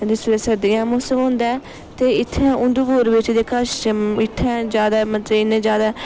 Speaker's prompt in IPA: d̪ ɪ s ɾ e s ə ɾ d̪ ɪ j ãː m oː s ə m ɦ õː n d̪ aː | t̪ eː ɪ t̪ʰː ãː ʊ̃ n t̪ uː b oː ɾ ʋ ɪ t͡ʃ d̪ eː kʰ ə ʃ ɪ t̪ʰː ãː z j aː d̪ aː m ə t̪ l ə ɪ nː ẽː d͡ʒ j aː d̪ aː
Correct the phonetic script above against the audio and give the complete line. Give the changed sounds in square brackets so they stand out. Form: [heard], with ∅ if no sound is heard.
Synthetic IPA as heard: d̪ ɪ s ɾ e s ə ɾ d̪ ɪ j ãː m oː s ə m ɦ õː n d̪ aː | t̪ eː ɪ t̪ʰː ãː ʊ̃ n [d̪] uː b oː ɾ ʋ ɪ t͡ʃ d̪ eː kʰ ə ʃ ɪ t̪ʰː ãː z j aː d̪ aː m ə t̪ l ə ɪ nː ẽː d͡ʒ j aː d̪ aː